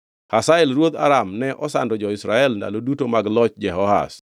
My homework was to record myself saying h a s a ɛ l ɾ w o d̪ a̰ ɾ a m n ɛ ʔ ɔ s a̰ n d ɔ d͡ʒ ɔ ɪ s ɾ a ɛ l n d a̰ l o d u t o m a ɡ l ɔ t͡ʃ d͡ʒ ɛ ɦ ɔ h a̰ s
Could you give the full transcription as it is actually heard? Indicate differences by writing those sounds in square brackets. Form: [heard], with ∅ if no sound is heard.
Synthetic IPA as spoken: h a s a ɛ l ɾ w o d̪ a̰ ɾ a m n ɛ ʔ ɔ s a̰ n d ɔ d͡ʒ ɔ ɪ s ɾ a ɛ l n d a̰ l o d u t o m a ɡ l ɔ t͡ʃ d͡ʒ ɛ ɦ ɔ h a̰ s